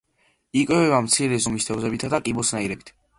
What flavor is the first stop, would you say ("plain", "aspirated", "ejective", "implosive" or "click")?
ejective